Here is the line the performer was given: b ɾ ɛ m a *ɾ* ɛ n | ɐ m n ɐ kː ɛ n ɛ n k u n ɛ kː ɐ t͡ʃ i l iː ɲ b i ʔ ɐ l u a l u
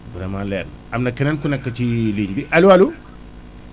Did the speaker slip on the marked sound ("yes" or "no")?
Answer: yes